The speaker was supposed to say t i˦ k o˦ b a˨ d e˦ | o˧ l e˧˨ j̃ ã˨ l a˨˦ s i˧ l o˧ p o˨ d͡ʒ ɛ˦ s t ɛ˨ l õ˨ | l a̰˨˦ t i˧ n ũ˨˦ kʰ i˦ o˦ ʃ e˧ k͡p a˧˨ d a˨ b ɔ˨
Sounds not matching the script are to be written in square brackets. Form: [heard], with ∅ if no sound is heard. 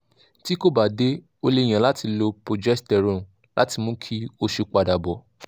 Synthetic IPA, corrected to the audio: t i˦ k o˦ b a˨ d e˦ | o˧ l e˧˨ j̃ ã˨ l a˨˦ [t] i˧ l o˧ p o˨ d͡ʒ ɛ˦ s t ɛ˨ [ɾ] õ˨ | l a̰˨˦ t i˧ [m] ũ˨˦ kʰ i˦ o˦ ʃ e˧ k͡p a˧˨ d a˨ b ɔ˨